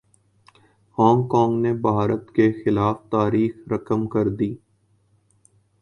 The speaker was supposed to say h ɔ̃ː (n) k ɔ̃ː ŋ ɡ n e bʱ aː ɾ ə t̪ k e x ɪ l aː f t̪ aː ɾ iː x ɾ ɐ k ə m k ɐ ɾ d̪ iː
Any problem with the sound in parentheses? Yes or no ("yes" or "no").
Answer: yes